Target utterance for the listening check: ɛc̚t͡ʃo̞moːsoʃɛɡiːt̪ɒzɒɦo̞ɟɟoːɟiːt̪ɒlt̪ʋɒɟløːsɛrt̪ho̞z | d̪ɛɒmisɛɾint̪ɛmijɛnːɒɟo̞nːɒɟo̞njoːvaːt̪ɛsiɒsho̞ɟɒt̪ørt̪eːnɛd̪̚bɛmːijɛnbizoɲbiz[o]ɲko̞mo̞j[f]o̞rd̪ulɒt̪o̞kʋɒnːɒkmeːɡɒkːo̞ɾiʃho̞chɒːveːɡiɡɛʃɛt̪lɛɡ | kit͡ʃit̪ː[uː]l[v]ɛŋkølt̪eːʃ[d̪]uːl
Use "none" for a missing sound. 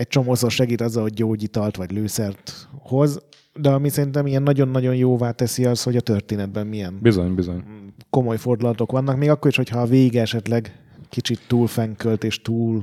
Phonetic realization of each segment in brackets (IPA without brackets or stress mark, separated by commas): o, f, uː, f, t̪